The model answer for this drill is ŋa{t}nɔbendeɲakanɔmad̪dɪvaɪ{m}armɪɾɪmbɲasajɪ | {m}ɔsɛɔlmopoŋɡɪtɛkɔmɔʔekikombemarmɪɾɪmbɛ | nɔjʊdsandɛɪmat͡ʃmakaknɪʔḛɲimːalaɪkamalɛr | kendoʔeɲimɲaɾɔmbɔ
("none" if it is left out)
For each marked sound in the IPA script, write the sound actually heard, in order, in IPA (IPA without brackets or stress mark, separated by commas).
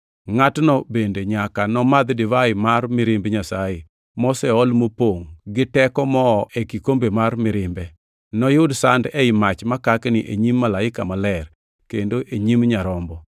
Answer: t, m, m